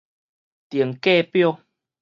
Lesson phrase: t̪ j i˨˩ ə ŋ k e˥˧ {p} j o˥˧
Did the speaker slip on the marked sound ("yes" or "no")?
no